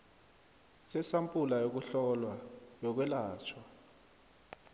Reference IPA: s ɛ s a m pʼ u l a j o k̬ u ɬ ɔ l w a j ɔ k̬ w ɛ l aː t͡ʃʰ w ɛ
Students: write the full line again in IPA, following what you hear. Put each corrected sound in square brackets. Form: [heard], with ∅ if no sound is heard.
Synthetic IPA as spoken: s ɛ s a m pʼ u l a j o k̬ u ɬ ɔ l w a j ɔ k̬ w ɛ l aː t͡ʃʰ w [a]